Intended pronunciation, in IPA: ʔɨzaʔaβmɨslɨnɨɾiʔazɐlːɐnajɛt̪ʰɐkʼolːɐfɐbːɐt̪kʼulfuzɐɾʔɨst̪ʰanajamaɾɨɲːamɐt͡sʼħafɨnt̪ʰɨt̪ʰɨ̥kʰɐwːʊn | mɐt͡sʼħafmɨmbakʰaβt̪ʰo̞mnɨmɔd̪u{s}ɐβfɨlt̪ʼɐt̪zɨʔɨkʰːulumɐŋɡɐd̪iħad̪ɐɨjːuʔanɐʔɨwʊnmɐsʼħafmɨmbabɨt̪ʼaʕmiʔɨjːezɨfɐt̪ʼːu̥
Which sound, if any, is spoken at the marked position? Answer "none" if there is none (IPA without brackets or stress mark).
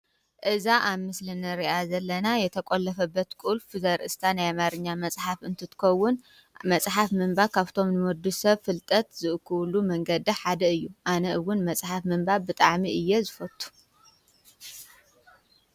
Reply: s